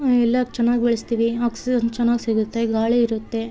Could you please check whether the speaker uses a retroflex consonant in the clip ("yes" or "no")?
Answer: yes